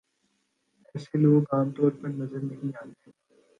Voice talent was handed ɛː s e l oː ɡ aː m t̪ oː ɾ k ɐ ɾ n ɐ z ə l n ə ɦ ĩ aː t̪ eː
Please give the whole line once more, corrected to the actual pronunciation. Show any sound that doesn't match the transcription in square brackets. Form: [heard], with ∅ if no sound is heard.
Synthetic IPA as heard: ɛː s e l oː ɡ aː m t̪ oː ɾ [p] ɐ ɾ n ɐ z ə [ɾ] n [ɐ] ɦ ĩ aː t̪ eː